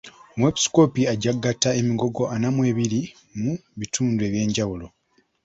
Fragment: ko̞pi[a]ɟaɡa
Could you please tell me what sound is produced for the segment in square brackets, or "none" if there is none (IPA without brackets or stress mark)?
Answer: a